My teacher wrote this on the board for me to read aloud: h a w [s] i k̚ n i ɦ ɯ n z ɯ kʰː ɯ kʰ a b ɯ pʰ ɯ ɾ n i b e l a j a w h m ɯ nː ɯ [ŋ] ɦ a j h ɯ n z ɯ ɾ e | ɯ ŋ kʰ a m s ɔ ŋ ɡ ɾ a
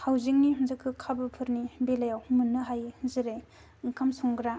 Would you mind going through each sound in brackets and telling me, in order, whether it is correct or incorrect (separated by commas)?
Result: incorrect, incorrect